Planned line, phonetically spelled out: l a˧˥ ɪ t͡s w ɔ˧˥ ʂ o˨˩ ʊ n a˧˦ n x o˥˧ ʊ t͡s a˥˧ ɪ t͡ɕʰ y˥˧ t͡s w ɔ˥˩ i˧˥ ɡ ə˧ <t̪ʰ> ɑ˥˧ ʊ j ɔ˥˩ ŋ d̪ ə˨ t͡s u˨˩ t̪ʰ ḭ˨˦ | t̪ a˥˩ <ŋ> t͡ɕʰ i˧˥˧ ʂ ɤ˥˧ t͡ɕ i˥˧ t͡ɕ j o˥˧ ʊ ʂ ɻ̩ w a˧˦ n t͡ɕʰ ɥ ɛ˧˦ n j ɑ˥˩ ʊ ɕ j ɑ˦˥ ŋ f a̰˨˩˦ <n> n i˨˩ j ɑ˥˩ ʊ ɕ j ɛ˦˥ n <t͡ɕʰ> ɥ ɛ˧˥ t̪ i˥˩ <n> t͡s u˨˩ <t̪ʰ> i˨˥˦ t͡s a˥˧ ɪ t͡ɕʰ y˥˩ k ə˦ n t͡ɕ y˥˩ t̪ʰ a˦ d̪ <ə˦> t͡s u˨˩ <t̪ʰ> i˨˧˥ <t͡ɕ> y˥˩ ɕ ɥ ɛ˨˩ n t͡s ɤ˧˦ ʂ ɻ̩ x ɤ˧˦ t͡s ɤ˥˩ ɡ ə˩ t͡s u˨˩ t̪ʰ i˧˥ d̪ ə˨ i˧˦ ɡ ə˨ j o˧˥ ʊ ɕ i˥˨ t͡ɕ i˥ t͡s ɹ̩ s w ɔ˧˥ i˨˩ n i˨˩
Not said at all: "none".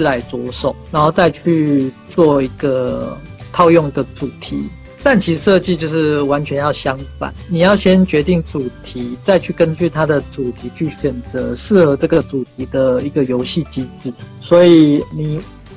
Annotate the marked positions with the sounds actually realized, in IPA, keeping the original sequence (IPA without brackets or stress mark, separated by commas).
t̪ʰ, n, n, t͡ɕ, ŋ, t̪ʰ, ə˨, t̪ʰ, t͡ɕʰ